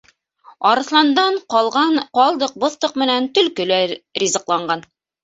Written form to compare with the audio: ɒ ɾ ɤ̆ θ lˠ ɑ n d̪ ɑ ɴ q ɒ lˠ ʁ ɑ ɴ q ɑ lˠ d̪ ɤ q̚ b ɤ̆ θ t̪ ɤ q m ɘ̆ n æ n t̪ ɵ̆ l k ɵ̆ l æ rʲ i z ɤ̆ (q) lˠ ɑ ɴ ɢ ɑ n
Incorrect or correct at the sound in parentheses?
correct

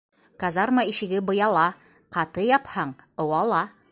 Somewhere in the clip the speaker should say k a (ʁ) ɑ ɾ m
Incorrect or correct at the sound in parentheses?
incorrect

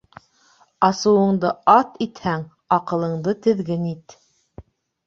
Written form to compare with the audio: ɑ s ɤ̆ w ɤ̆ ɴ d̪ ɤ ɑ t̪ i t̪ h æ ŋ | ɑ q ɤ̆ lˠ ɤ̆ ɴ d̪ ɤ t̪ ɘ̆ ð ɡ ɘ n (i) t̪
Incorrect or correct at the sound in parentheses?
correct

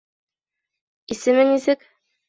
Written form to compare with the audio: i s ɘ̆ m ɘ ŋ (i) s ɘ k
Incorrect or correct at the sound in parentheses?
correct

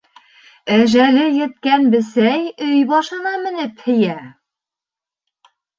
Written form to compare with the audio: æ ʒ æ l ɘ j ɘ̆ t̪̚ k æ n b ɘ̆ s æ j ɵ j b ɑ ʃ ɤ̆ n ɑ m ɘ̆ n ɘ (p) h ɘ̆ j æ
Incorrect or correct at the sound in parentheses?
correct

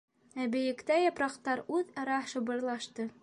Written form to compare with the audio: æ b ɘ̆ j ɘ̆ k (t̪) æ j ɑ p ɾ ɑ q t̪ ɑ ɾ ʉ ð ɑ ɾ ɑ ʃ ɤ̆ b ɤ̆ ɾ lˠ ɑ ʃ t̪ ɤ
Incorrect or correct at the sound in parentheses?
correct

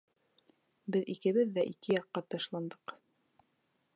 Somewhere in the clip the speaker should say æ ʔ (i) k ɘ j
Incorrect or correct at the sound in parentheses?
correct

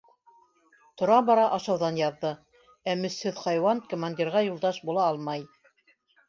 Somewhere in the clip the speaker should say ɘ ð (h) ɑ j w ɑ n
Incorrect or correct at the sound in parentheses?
incorrect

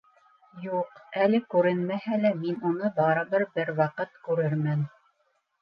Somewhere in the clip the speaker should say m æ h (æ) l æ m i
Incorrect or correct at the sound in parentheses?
correct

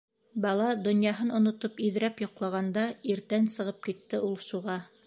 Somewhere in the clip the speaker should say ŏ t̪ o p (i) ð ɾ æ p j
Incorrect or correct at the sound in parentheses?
correct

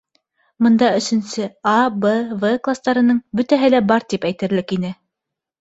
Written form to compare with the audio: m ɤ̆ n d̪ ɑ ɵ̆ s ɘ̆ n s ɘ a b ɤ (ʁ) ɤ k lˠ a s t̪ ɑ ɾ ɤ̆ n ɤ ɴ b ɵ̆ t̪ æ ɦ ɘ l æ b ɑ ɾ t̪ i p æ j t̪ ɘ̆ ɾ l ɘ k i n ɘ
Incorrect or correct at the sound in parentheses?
incorrect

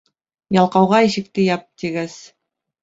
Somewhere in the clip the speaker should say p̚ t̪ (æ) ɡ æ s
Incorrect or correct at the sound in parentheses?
incorrect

